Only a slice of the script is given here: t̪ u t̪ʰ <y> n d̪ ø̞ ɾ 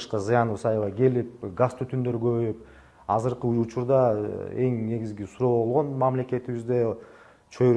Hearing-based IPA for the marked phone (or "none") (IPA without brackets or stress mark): y